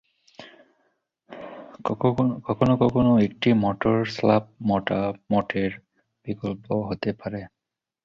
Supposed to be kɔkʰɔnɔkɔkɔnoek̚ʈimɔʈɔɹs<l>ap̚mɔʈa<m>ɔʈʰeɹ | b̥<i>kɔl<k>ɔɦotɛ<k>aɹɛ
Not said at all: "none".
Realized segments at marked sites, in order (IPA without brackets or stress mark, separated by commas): l, m, i, p, p